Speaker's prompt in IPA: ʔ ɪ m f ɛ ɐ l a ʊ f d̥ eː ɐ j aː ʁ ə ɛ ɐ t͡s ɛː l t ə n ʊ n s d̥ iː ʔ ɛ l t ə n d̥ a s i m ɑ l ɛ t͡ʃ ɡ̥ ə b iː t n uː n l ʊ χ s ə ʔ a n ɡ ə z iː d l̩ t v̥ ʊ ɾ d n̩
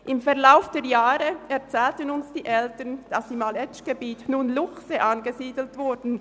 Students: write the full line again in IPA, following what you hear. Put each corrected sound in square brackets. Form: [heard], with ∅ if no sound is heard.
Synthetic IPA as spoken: ʔ ɪ m f ɛ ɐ l a ʊ f d̥ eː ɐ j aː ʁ ə ɛ ɐ t͡s ɛː l t ə n ʊ n s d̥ iː ʔ ɛ l t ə n d̥ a s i m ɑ l ɛ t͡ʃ ɡ̥ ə b iː t n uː n l ʊ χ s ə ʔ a n ɡ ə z iː d l̩ t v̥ ʊ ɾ d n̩